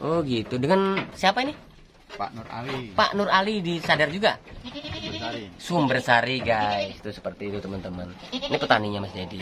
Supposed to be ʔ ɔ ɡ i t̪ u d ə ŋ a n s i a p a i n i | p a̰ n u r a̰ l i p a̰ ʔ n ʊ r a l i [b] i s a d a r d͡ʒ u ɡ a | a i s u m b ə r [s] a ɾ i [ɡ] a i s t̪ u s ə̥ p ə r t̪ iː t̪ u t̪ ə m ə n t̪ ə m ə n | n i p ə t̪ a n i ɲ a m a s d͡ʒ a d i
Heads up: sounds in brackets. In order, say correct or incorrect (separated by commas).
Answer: incorrect, correct, correct